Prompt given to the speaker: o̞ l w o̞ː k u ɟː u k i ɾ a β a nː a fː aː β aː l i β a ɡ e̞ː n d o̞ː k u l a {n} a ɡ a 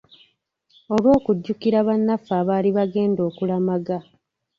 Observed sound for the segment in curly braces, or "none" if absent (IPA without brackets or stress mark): m